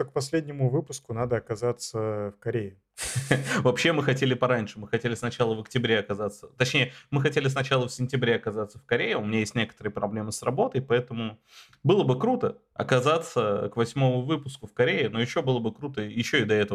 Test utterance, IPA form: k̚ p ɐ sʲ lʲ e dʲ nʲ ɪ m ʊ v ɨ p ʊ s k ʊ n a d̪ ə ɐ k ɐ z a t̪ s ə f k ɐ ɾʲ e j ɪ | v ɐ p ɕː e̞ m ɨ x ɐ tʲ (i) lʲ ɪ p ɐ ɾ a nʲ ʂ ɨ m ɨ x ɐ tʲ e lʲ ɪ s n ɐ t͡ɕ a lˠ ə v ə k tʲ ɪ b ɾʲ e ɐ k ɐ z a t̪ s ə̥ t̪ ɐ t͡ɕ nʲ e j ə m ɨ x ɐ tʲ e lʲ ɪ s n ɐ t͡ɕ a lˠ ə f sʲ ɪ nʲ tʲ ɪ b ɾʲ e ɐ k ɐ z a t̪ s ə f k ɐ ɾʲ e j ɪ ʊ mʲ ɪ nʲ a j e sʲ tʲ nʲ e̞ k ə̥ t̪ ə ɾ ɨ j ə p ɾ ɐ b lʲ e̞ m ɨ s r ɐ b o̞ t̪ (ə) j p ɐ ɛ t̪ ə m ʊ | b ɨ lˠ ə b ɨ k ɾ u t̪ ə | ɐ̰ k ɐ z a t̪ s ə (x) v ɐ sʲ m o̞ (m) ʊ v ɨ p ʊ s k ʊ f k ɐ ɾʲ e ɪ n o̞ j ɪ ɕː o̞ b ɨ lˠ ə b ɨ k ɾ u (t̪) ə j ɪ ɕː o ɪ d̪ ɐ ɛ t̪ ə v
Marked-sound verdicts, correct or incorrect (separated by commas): incorrect, correct, incorrect, correct, correct